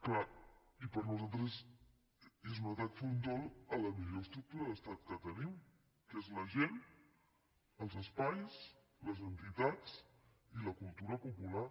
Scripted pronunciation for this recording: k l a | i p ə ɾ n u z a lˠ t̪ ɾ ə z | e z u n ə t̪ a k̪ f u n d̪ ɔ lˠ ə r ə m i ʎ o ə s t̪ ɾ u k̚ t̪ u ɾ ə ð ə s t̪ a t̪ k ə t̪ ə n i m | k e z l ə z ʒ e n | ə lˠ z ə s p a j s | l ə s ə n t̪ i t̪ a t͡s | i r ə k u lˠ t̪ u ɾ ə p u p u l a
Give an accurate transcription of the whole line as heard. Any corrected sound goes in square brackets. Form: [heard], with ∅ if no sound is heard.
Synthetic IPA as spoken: k l a | i p ə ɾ n u z a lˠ t̪ ɾ ə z | e z u n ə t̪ a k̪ f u n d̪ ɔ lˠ ə [l] ə m i ʎ o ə s t̪ ɾ u k̚ t̪ u ɾ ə ð ə s t̪ a t̪ k ə t̪ ə n i m | k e z l ə [∅] ʒ e n | ə lˠ z ə s p a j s | l ə [z] ə n t̪ i t̪ a t͡s | i [l] ə k u lˠ t̪ u ɾ ə p u p u l a